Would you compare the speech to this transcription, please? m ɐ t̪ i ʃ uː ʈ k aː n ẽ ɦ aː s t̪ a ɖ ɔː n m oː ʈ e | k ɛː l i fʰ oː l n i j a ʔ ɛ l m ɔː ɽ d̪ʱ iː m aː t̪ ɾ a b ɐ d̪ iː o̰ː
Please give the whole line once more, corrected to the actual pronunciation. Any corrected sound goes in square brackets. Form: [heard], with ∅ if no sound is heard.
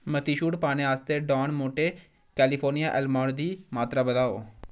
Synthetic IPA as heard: m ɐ t̪ i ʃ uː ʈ [p] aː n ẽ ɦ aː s t̪ [e] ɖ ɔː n m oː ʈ e | k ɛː l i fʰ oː [ɾ] n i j a ʔ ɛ l m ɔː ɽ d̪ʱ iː m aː t̪ ɾ a b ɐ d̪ [aː] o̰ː